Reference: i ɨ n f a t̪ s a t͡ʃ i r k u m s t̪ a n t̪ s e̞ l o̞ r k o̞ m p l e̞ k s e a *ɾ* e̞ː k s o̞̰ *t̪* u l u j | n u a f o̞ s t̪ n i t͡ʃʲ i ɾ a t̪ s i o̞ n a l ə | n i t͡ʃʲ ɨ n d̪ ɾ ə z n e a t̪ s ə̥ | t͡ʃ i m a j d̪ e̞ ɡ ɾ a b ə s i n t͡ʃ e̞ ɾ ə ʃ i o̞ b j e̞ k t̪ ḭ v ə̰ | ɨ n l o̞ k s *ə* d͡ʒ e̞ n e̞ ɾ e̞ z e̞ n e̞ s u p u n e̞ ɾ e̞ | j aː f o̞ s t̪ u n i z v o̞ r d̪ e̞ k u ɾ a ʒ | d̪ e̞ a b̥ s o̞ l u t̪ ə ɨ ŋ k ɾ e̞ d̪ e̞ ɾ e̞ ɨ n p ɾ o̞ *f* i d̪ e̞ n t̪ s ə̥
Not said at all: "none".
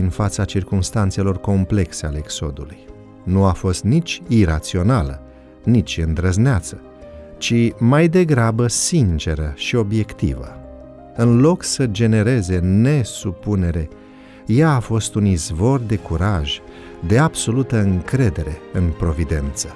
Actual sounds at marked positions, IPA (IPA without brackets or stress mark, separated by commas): l, d̪, ə, v